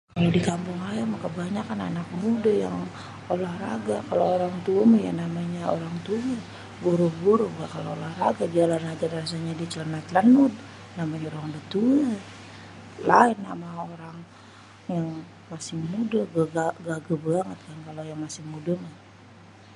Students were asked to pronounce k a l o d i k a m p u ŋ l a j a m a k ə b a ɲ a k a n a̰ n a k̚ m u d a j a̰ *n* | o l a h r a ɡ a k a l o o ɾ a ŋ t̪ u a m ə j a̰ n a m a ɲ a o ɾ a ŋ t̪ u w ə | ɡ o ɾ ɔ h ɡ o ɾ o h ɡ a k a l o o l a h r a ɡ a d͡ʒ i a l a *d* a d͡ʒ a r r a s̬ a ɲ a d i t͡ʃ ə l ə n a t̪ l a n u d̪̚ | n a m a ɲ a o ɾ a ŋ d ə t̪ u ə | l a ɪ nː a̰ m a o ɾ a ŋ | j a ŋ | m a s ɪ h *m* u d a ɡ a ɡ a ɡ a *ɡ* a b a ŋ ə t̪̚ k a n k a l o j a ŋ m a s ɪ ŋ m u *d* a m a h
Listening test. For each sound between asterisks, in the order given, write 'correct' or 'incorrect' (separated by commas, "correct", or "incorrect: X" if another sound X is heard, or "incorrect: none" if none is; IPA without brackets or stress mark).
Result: incorrect: ŋ, incorrect: n, correct, correct, correct